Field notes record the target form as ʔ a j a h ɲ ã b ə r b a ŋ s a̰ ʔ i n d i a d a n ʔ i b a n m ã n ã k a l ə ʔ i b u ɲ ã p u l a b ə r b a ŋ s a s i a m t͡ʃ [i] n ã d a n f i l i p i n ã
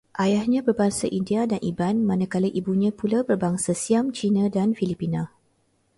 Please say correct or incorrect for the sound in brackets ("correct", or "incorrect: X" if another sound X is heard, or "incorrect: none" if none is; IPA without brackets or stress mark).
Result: correct